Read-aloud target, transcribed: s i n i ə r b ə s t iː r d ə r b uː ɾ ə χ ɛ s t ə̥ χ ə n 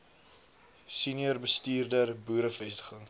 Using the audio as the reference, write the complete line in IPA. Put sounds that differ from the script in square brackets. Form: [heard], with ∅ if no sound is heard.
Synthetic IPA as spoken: s i n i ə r b ə s t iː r d ə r b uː ɾ ə [f] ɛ s t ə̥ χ ə [ŋ]